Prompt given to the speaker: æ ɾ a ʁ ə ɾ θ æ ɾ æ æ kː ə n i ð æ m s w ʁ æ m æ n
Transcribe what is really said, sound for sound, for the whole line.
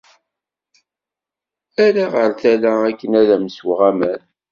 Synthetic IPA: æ ɾ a ʁ ə ɾ θ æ l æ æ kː ə n æ ð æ m s w ʁ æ m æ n